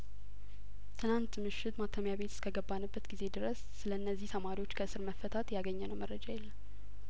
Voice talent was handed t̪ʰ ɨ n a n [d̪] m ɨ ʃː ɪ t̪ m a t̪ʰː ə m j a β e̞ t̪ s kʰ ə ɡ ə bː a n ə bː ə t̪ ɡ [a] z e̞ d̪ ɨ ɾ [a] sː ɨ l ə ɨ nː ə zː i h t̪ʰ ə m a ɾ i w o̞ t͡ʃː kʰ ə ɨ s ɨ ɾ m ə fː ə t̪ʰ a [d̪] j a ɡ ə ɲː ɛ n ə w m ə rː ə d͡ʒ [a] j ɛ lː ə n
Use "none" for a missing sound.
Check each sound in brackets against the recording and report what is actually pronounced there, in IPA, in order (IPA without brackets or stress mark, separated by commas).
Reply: t̪, i, ə, t̪, a